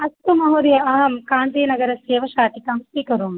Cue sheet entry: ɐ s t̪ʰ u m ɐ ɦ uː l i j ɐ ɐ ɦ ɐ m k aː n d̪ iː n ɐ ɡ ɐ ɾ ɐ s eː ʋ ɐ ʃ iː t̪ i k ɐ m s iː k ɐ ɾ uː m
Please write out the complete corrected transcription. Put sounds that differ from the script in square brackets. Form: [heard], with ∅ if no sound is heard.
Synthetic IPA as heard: ɐ s [t̪] u m ɐ ɦ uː [ɾ] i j ɐ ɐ ɦ ɐ m k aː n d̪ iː n ɐ ɡ ɐ ɾ ɐ s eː ʋ ɐ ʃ [aː] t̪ i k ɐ m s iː k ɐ ɾ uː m